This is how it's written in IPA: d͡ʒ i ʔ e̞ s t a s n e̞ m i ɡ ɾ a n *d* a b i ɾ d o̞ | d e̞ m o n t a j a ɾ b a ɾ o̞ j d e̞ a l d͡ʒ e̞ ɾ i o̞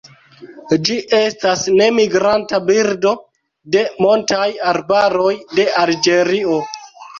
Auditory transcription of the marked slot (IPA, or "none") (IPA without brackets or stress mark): t